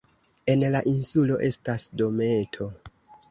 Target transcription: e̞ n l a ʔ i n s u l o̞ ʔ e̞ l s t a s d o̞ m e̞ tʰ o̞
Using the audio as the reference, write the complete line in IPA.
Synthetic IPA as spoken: e̞ n l a ʔ i n s u l o̞ ʔ e̞ s t a s d o̞ m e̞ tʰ o̞